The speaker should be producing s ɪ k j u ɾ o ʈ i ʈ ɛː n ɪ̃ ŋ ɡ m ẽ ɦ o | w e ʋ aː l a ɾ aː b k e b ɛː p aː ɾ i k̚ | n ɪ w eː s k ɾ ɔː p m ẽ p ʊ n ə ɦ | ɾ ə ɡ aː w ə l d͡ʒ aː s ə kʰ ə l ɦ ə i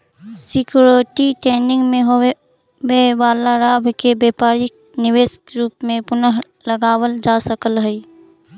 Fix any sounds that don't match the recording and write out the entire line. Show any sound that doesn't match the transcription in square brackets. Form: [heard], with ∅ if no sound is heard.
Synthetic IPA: s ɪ k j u ɾ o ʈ i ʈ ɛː n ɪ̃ ŋ ɡ m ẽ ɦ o | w e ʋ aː l a ɾ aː b k e b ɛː p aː ɾ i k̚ | n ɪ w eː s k ɾ [uː] p m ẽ p ʊ n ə ɦ | [l] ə ɡ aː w ə l d͡ʒ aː s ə [k] ə l ɦ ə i